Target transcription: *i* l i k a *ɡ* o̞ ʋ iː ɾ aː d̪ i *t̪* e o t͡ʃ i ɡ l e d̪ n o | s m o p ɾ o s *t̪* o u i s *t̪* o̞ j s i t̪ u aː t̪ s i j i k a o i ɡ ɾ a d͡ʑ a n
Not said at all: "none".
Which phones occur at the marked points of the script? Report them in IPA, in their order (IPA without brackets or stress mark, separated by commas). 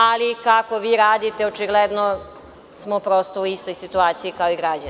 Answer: a, k, t̪, t̪, t̪